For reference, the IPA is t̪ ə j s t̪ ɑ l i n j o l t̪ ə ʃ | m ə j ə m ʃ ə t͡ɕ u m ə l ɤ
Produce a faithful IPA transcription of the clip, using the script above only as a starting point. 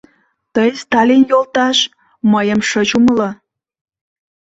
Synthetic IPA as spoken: t̪ ə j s t̪ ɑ l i n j o l t̪ ɑ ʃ | m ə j ə m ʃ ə t͡ɕ u m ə l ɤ